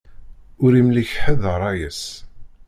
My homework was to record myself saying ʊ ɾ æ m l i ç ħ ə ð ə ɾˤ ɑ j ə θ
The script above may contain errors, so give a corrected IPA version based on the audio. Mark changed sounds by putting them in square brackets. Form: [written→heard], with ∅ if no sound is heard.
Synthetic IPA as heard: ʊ ɾ [æ→i] m l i ç ħ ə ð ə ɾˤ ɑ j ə [θ→s]